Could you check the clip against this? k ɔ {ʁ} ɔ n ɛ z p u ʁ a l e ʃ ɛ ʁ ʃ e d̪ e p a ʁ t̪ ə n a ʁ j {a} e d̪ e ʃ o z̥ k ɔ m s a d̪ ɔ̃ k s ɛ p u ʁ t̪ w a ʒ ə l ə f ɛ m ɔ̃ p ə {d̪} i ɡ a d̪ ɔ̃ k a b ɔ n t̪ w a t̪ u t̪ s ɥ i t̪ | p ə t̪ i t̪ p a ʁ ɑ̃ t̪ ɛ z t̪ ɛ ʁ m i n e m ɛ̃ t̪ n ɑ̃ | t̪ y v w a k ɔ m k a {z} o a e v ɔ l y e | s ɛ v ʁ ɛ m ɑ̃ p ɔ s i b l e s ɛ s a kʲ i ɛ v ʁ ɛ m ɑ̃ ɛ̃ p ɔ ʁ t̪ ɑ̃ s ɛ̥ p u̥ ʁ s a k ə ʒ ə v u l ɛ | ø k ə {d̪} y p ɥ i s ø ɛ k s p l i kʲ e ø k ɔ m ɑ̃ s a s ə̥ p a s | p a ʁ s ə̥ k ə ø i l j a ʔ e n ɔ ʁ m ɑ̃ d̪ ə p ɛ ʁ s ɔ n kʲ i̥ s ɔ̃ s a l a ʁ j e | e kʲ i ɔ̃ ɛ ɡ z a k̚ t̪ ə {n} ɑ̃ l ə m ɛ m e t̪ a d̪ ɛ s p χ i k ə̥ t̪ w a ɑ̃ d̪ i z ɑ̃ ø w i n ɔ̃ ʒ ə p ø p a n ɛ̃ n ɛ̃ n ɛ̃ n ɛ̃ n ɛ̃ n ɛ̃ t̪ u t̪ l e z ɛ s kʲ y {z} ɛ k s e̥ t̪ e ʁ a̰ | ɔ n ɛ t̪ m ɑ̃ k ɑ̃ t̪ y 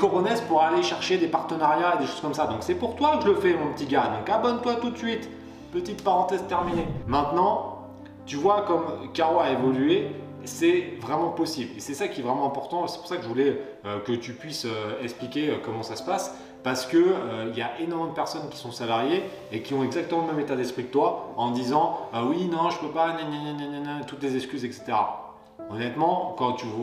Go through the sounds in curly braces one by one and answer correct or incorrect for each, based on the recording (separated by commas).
correct, correct, incorrect, incorrect, incorrect, incorrect, correct